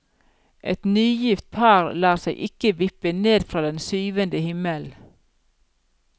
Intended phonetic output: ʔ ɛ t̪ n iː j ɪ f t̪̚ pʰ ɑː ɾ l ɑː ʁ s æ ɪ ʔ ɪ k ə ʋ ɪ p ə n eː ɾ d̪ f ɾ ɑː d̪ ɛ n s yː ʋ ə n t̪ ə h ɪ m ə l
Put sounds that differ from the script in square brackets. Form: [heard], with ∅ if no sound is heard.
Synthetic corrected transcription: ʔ ɛ t̪ n [yː] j ɪ f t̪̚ pʰ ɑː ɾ l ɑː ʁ s æ ɪ ʔ ɪ k ə ʋ ɪ p ə n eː [∅] d̪ f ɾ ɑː d̪ ɛ n s yː ʋ ə n [d̪] ə h ɪ m ə l